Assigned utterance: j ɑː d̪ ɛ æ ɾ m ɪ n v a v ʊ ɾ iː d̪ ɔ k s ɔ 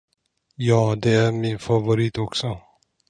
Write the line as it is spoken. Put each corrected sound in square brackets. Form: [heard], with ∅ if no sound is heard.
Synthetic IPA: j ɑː d̪ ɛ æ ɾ m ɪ n [f] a v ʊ ɾ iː [t̪] ɔ k s ɔ